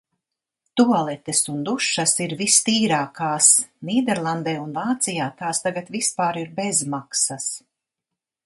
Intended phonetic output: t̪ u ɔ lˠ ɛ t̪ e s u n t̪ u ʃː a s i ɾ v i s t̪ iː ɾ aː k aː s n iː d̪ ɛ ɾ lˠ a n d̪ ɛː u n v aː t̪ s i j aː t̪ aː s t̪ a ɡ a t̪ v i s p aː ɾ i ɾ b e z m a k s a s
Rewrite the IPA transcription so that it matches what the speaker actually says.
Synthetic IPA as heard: t̪ u ɔ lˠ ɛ t̪ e s u n d̪ u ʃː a s i ɾ v i s t̪ iː ɾ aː k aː s n iː d̪ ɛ ɾ lˠ a n d̪ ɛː u n v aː t̪ s i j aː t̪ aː s t̪ a ɡ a t̪ v i s p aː ɾ i ɾ b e z m a k s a s